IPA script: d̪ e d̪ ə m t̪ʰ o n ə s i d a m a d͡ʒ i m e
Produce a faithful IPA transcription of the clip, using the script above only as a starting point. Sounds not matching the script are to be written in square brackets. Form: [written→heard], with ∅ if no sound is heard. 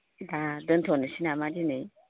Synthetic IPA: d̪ [e→a] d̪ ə [m→n] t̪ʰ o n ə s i [d→n] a m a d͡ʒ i [m→n] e